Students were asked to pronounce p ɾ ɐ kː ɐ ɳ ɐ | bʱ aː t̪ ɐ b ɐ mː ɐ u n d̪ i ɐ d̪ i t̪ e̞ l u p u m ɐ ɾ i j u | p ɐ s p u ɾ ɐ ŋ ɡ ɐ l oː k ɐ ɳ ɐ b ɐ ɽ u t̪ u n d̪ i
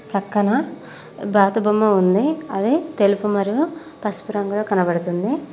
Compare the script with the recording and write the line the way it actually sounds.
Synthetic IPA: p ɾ ɐ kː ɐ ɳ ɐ | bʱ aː t̪ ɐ b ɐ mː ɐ u n d̪ i ɐ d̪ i t̪ e̞ l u p u m ɐ ɾ i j u | p ɐ s p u ɾ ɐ ŋ ɡ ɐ l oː k ɐ n ɐ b ɐ ɽ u t̪ u n d̪ i